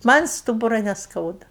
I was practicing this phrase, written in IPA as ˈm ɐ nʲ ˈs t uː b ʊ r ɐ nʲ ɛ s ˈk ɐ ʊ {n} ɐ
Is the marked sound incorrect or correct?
incorrect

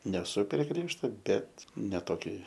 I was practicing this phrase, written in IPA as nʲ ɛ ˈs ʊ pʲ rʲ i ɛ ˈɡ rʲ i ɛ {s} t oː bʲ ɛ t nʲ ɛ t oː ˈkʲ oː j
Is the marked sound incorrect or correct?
incorrect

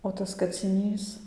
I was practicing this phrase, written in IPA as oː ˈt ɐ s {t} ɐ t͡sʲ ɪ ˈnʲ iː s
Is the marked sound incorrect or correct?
incorrect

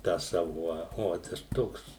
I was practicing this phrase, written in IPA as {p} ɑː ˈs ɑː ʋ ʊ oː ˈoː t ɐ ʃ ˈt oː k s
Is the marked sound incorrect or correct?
incorrect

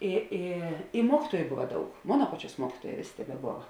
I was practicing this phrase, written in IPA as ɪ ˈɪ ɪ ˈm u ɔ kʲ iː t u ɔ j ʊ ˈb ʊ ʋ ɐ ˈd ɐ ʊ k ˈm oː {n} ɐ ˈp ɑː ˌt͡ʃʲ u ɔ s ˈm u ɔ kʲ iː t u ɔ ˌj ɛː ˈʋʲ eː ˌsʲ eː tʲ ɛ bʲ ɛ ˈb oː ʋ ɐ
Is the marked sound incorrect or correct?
correct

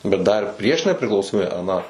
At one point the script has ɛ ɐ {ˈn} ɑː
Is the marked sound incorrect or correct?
correct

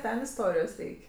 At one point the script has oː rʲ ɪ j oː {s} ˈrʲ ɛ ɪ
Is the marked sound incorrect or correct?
correct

